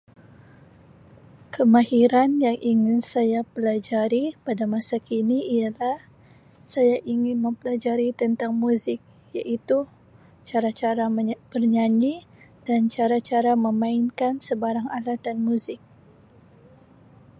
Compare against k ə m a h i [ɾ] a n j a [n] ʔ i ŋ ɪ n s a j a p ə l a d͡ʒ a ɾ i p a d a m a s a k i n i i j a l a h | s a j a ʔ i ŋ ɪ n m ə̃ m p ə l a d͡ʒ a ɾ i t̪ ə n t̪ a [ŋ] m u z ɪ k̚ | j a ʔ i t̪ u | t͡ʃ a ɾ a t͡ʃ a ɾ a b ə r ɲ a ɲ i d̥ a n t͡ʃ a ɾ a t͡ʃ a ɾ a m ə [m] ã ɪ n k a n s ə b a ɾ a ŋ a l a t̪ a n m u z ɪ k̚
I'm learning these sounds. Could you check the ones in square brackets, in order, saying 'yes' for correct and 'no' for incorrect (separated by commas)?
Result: yes, no, yes, yes